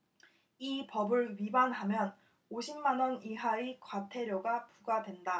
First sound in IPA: i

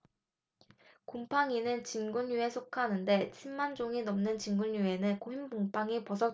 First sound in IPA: k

